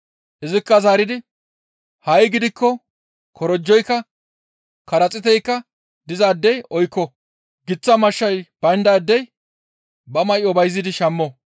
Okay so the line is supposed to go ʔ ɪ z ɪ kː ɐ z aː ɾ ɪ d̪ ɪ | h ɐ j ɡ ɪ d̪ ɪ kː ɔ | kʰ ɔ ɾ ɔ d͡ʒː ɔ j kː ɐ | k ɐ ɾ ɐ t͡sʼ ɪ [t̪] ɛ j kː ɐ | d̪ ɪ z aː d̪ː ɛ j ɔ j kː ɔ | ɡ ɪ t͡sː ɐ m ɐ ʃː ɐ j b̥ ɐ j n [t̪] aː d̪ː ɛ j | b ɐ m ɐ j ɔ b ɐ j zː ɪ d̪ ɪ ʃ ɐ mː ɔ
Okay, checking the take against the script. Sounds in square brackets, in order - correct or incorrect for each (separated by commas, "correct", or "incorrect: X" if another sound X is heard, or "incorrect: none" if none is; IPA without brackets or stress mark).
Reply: correct, incorrect: d̪